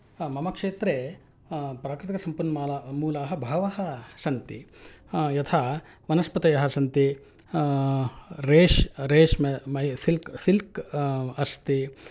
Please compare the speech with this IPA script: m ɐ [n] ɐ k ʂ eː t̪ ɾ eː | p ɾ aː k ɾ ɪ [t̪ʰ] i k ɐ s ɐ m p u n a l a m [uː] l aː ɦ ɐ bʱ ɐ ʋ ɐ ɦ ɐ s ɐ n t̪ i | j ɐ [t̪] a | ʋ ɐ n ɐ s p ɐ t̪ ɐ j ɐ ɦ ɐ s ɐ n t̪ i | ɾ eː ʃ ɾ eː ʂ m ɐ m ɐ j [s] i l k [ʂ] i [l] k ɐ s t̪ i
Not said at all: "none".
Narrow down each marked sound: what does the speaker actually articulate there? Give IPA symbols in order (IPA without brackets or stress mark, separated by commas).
m, t̪, uː, t̪ʰ, s, s, l